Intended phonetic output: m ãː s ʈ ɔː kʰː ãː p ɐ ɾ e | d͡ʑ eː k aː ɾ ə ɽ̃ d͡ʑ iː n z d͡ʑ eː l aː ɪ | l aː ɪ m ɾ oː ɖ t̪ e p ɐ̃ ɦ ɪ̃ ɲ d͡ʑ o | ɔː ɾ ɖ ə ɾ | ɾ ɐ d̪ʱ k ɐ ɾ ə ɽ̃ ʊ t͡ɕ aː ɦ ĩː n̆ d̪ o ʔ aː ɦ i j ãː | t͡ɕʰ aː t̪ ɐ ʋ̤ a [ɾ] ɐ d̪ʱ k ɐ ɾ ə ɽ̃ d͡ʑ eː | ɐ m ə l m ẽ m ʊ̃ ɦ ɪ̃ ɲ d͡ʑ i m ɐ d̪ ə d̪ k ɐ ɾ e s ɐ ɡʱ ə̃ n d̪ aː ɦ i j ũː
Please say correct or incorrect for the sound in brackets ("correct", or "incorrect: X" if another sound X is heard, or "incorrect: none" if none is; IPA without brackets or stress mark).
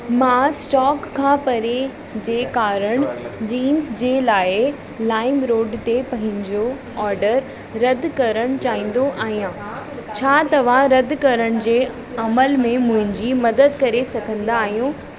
correct